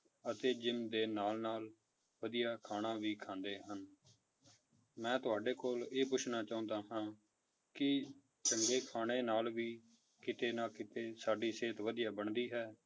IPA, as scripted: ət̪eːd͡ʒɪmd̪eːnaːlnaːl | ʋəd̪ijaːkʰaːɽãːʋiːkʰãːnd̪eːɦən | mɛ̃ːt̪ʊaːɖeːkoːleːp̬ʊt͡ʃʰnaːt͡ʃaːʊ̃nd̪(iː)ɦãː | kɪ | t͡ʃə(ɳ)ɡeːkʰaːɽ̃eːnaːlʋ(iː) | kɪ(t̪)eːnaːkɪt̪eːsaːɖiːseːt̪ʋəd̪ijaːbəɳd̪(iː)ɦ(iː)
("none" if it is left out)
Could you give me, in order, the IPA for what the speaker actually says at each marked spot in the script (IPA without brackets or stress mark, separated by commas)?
aː, ŋ, iː, t̪, iː, ɛː